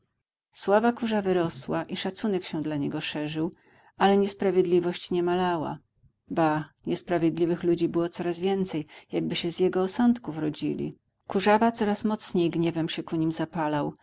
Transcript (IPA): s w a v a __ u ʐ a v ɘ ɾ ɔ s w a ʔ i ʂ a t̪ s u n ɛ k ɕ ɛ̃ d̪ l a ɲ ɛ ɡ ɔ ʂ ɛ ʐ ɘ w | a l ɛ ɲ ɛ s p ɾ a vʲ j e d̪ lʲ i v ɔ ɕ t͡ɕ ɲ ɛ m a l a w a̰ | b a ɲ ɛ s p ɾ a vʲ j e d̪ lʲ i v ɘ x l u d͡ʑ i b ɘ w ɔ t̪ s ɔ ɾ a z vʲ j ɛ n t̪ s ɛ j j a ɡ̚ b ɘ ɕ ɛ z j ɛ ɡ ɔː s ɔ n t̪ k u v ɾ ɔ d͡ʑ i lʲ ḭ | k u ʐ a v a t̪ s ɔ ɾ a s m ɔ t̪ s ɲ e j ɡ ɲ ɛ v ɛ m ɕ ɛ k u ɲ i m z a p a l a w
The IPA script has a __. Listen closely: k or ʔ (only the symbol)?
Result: k